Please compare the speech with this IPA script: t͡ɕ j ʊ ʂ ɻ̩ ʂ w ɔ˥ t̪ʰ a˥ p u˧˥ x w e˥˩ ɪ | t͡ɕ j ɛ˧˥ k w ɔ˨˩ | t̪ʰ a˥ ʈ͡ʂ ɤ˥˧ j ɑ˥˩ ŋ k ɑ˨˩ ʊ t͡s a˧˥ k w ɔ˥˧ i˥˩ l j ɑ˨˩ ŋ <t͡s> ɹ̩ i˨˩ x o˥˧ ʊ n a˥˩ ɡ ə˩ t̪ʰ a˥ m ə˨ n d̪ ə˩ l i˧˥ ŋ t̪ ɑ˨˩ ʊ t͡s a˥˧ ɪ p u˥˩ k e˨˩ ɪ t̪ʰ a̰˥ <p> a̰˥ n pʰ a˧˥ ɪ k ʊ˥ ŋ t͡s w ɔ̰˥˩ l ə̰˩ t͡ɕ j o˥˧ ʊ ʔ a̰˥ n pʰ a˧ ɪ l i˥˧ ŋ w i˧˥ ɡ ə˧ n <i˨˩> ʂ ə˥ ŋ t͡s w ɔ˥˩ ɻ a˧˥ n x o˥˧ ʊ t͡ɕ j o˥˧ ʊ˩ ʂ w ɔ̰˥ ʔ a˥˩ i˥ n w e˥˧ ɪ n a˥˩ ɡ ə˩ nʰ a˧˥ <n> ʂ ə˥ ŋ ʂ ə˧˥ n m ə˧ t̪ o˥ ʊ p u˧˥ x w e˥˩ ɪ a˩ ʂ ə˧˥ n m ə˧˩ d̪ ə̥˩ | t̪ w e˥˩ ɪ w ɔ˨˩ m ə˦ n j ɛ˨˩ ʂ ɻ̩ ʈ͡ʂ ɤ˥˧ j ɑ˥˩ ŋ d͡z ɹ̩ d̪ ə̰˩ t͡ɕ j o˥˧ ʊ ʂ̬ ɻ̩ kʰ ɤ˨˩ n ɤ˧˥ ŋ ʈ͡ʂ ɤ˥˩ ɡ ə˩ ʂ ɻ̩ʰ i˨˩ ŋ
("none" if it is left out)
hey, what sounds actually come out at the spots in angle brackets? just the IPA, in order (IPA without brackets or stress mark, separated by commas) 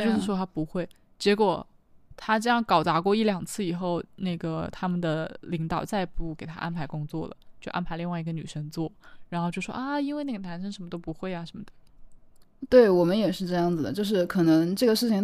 t͡sʰ, ʔ, y˨˩, n